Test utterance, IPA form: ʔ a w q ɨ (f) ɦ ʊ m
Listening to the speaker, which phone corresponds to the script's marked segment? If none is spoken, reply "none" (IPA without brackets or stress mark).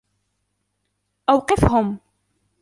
f